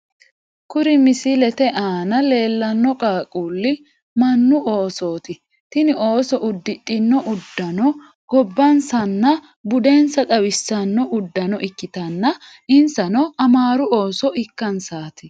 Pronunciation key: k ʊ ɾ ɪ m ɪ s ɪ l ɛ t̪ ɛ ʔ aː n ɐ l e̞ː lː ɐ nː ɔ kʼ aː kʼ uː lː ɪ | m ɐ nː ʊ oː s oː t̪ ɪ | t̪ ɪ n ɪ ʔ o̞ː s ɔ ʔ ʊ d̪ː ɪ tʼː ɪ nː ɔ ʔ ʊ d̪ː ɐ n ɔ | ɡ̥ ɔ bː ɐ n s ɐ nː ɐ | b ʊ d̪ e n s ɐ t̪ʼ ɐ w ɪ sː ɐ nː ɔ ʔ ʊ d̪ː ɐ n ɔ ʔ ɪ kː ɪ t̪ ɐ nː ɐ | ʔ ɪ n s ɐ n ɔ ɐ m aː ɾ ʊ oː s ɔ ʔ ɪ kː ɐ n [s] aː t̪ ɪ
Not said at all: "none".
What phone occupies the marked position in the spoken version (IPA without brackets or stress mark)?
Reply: s